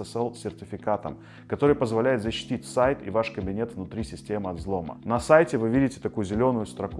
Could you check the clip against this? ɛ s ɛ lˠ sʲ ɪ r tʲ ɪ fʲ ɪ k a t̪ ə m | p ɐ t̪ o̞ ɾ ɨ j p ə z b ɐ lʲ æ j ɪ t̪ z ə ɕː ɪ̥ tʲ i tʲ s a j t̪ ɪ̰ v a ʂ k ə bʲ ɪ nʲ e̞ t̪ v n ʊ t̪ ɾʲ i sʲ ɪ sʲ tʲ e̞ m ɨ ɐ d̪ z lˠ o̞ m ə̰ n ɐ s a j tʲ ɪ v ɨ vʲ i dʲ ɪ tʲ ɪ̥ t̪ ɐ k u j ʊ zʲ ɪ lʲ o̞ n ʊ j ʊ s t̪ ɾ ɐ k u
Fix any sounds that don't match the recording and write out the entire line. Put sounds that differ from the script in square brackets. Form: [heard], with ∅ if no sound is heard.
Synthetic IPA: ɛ s ɛ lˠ sʲ ɪ r tʲ ɪ fʲ ɪ k a t̪ ə m | [k] ɐ t̪ o̞ ɾ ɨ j p ə z [v] ɐ lʲ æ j ɪ t̪ z ə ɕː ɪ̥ tʲ i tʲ s a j t̪ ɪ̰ v a ʂ k ə bʲ ɪ nʲ e̞ t̪ v n ʊ t̪ ɾʲ i sʲ ɪ sʲ tʲ e̞ m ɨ ɐ d̪ z lˠ o̞ m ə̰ n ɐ s a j tʲ ɪ v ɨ vʲ i dʲ ɪ tʲ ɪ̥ t̪ ɐ k u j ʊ zʲ ɪ lʲ o̞ n ʊ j ʊ s t̪ ɾ ɐ k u